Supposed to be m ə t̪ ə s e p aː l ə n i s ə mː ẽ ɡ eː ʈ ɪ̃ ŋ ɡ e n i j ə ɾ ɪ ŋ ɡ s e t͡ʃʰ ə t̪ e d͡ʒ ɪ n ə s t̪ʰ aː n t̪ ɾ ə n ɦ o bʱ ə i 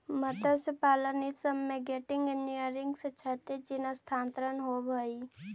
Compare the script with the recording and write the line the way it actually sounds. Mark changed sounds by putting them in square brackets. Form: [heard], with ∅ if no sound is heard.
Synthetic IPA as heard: m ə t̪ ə s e p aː l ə n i s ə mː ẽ ɡ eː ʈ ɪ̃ ŋ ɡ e n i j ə ɾ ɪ ŋ ɡ s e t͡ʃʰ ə t̪ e d͡ʒ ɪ n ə s t̪ʰ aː n t̪ ɾ ə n ɦ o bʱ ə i